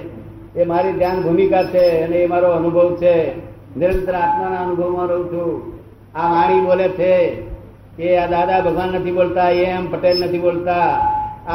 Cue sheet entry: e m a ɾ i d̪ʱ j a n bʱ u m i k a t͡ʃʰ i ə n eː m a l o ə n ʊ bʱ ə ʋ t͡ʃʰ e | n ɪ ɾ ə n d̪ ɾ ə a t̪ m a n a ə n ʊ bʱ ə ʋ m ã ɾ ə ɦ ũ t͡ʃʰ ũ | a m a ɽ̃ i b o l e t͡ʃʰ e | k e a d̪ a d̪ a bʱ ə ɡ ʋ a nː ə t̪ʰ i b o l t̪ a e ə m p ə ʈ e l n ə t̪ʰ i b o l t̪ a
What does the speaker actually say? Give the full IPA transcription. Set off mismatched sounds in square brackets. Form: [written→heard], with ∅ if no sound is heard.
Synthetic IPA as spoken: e m a ɾ i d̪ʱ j a n bʱ u m i k a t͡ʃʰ [i→e] ə n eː m a [l→ɾ] o ə n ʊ bʱ ə ʋ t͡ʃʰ e | n ɪ ɾ ə n [d̪→t̪] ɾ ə a t̪ m a n a ə n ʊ bʱ ə ʋ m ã ɾ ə ɦ ũ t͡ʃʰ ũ | a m a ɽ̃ i b o l e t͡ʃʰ e | k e a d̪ a d̪ a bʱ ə ɡ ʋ a nː ə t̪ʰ i b o l t̪ a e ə m p ə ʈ e l n ə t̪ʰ i b o l t̪ a